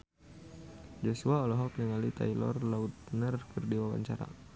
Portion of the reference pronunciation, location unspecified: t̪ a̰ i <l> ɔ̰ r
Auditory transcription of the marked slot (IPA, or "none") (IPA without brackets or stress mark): l